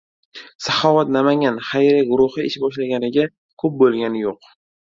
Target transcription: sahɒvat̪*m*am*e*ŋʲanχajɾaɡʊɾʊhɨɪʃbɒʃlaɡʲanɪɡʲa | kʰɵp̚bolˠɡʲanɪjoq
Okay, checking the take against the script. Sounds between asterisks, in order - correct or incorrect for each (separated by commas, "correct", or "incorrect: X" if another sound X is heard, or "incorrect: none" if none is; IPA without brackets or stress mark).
incorrect: n, incorrect: a